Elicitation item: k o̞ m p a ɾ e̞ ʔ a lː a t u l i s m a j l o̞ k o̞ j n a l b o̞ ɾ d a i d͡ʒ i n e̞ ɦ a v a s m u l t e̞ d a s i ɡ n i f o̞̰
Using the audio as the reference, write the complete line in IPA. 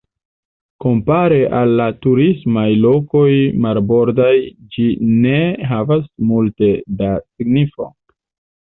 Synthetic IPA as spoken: k o̞ m p a ɾ e̞ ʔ a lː a t u ɾ i s m a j l o̞ k o̞ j m a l b o̞ ɾ d a j d͡ʒ i n e̞ ɦ a v a s m u l t e̞ d a s i ɡ n i f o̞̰